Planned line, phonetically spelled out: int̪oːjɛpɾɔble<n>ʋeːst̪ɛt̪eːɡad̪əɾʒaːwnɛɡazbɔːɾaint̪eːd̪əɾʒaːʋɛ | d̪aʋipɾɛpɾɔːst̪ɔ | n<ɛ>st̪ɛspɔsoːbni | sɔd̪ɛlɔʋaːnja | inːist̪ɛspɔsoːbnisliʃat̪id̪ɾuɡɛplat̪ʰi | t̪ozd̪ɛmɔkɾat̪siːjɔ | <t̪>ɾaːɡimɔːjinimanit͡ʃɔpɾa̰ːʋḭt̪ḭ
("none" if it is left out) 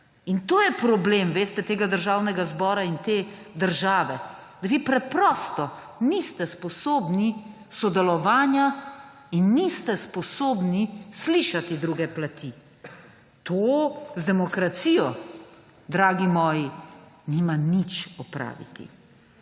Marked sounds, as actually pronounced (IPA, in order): m, i, d̪

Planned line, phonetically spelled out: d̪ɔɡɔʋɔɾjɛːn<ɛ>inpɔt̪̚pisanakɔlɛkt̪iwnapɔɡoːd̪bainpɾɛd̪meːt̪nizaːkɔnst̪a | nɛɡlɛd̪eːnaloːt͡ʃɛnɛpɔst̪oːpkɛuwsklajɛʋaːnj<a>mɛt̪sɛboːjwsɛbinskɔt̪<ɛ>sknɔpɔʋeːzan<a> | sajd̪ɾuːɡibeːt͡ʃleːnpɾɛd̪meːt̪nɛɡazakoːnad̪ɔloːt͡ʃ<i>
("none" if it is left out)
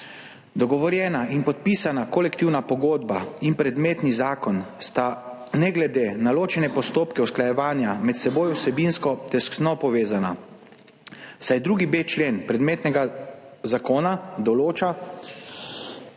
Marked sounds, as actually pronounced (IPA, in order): a, a, ɛ, a, a

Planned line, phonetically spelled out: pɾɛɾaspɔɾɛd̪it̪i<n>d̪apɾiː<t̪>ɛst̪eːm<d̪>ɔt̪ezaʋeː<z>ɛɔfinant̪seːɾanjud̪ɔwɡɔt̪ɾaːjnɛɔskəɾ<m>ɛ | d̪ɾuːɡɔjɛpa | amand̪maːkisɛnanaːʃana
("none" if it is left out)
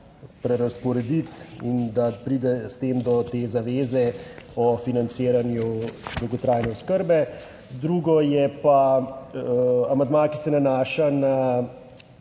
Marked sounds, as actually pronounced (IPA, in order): n, d̪, d̪, z, b

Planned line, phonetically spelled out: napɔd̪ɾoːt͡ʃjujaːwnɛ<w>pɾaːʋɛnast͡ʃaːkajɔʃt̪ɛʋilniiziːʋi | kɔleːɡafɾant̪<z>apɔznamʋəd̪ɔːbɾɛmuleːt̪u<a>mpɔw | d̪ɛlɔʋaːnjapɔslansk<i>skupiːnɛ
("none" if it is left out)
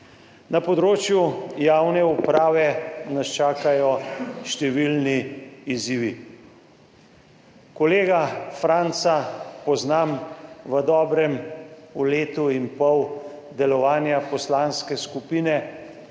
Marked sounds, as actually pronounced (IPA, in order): u, s, i, ɛ

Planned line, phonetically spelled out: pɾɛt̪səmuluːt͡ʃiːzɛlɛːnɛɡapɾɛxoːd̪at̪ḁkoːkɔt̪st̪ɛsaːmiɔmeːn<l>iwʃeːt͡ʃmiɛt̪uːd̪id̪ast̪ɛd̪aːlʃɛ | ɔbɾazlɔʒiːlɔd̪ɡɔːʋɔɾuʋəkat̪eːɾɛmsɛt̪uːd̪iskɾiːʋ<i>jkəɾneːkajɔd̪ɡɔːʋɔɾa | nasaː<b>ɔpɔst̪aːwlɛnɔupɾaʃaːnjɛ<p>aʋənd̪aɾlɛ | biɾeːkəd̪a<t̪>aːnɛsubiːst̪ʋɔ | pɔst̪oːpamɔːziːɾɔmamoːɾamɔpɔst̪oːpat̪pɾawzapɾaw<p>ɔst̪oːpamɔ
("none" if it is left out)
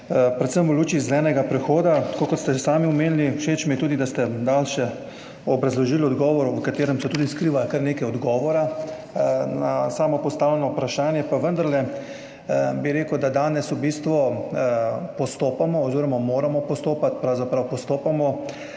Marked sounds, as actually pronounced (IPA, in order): l, a, m, p, d̪, p

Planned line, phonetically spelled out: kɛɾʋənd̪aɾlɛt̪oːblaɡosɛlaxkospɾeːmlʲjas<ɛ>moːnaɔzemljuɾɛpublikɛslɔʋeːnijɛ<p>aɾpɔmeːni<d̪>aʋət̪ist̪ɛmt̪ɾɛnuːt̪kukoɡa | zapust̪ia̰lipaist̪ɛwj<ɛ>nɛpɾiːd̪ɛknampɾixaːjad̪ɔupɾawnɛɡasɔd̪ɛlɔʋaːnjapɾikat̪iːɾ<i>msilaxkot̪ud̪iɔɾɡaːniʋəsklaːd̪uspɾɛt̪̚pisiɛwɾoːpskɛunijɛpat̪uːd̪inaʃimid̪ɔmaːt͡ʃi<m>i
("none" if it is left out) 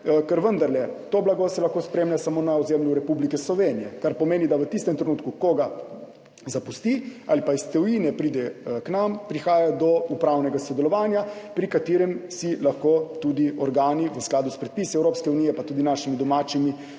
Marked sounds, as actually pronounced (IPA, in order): a, k, d̪, i, ɛ, m

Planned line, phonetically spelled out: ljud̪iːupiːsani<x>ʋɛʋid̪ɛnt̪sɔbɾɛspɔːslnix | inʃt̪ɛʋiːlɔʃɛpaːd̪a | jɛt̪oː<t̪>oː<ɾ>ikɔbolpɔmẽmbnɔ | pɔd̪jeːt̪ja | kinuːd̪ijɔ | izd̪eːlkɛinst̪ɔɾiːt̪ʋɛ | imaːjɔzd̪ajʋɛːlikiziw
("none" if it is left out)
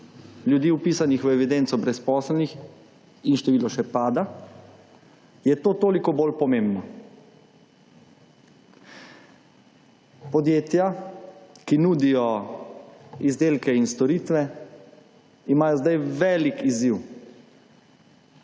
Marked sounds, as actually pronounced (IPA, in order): x, t̪, l

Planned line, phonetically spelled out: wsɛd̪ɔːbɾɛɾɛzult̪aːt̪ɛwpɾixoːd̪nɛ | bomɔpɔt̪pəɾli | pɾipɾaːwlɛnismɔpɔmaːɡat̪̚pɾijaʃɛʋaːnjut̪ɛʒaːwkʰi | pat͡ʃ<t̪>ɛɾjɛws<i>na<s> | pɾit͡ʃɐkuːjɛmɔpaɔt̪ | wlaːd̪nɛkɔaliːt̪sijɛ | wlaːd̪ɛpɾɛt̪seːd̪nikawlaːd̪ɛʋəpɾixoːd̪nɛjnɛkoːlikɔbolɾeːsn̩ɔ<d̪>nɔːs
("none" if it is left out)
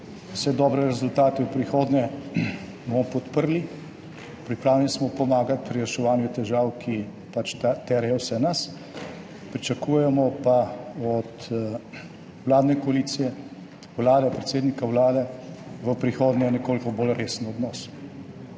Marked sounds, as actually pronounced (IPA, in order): t̪, ɛ, s, d̪

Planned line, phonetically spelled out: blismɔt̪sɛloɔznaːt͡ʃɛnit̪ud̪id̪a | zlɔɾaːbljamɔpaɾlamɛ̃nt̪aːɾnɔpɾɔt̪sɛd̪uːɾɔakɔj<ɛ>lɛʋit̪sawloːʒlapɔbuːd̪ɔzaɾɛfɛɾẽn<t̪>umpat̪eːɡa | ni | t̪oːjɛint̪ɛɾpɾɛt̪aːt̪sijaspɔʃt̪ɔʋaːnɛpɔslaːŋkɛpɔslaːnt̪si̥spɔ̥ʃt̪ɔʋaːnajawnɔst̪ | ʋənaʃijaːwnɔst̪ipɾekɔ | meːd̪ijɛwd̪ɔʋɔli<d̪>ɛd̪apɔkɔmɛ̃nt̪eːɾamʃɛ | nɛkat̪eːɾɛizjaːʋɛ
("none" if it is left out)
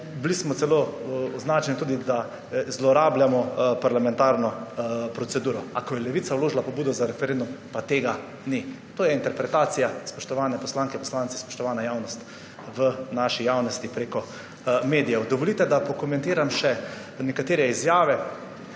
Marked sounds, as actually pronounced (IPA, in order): ɛ, d̪, t̪

